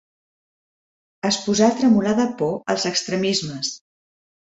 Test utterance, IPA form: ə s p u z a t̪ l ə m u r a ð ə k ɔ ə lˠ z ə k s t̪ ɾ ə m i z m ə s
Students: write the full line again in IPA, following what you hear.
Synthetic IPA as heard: ə s p u z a t̪ ɾ ə m u l a ð ə p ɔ ə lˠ z ə k s t̪ ɾ ə m i z m ə s